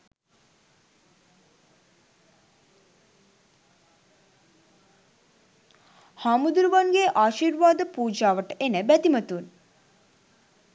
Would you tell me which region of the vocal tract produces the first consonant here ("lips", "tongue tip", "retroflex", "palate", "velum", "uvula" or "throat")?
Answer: throat